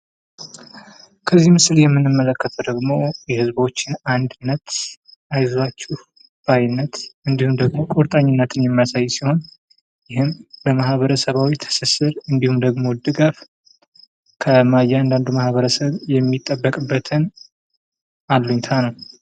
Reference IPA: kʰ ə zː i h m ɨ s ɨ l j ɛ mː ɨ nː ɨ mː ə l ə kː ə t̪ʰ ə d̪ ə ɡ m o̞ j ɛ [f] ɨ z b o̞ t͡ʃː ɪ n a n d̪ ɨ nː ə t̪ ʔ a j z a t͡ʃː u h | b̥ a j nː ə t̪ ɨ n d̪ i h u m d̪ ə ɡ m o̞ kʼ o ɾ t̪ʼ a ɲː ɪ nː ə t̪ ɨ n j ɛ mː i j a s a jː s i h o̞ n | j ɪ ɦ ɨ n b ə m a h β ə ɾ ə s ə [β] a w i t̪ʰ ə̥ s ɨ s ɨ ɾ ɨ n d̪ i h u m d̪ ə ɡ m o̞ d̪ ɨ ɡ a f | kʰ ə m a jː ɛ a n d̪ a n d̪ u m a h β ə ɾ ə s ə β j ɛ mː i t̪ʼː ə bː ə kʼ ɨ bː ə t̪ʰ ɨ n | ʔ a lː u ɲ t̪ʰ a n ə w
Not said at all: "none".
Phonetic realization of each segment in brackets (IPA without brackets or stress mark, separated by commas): h, β